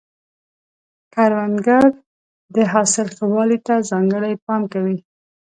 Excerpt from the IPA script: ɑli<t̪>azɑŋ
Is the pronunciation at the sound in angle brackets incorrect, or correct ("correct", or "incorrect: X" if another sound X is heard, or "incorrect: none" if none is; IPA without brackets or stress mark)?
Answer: correct